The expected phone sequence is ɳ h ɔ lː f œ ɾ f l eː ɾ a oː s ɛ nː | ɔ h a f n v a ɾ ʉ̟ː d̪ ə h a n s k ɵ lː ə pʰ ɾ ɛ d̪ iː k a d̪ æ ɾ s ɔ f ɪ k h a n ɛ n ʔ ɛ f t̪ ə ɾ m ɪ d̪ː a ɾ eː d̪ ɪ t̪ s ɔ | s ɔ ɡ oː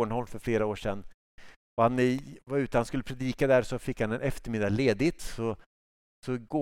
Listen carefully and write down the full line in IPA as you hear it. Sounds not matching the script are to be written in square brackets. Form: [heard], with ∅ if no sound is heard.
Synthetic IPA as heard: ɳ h ɔ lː f œ ɾ f l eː ɾ a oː [ʂ] ɛ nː | ɔ h a [∅] n v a ɾ ʉ̟ː [t̪] ə h a n s k ɵ lː ə pʰ ɾ ɛ d̪ iː k a d̪ æ ɾ s ɔ f ɪ k h a n ɛ n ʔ ɛ f t̪ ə ɾ m ɪ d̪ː a [l] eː d̪ ɪ t̪ s ɔ | s ɔ ɡ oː